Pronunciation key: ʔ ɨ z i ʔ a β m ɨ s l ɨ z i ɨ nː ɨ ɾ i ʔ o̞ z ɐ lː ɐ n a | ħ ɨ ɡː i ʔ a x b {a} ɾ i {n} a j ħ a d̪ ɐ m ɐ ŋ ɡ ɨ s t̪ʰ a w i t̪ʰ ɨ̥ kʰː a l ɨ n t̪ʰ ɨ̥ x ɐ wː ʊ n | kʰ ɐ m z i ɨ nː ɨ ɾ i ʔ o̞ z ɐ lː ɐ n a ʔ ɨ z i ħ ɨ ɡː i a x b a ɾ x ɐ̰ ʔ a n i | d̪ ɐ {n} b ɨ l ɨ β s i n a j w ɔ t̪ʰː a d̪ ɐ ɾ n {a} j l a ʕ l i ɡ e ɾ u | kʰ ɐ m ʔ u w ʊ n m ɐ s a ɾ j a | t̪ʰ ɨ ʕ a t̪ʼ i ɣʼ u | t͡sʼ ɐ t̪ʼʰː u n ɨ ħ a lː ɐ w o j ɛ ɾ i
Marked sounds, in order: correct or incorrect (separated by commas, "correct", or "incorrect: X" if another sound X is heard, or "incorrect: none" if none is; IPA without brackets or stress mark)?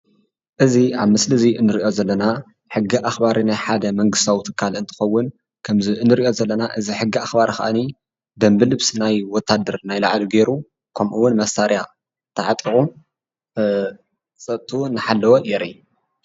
correct, correct, incorrect: m, correct